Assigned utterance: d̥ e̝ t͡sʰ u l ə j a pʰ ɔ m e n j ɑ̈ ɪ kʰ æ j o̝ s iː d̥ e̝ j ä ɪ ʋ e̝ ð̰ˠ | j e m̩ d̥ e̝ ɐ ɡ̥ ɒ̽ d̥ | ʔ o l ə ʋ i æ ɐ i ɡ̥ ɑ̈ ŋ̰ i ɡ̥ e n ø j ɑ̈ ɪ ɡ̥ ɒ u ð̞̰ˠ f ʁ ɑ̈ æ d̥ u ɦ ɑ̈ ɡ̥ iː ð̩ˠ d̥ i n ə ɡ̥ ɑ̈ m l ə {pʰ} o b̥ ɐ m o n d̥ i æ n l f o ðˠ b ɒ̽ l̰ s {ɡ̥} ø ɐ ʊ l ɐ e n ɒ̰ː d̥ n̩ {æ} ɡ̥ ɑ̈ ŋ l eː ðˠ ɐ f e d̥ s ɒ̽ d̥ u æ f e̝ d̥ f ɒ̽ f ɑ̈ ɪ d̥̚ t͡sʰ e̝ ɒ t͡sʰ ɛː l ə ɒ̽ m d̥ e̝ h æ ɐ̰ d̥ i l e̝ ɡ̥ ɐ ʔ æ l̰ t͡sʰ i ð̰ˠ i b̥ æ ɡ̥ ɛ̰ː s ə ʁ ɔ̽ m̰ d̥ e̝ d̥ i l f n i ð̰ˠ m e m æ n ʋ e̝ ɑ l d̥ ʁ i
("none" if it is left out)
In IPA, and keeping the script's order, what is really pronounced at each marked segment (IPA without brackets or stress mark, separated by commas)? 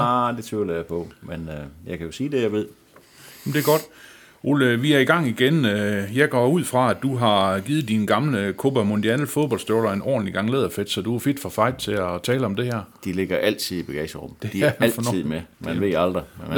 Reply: kʰ, d̥, i